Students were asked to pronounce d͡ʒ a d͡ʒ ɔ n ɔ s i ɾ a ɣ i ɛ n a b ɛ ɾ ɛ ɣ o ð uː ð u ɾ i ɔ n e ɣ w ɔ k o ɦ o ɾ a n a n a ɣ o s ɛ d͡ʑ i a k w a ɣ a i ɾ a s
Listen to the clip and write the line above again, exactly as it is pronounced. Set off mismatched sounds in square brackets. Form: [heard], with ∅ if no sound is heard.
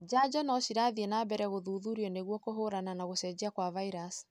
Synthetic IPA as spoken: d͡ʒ a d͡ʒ ɔ n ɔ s i ɾ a [ð] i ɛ n a b ɛ ɾ ɛ ɣ o ð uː ð u ɾ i ɔ n e ɣ w ɔ k o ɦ o ɾ a n a n a ɣ o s ɛ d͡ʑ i a k w a [v] a i ɾ a s